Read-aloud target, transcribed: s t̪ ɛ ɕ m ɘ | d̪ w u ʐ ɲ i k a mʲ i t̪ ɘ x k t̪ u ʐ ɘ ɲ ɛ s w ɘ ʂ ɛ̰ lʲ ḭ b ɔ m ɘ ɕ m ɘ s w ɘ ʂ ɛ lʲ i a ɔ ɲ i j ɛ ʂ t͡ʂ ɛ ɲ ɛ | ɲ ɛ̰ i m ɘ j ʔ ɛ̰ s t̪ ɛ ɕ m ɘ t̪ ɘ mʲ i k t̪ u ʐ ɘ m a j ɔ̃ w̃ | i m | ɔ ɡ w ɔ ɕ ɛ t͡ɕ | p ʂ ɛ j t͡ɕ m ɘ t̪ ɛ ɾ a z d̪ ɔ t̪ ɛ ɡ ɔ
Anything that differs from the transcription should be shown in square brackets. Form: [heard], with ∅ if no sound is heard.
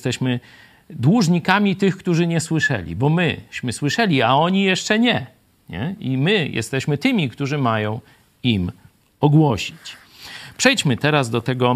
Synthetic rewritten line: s t̪ ɛ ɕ m ɘ | d̪ w u ʐ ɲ i k a mʲ i t̪ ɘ x k t̪ u ʐ ɘ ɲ ɛ s w ɘ ʂ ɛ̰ lʲ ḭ b ɔ m ɘ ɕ m ɘ s w ɘ ʂ ɛ lʲ i a ɔ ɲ i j ɛ ʂ t͡ʂ ɛ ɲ ɛ | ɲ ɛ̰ i m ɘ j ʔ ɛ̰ s t̪ ɛ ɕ m ɘ t̪ ɘ mʲ i k t̪ u ʐ ɘ m a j ɔ̃ w̃ | i m | ɔ ɡ w ɔ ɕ [i] t͡ɕ | p ʂ ɛ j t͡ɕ m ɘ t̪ ɛ ɾ a z d̪ ɔ t̪ ɛ ɡ ɔ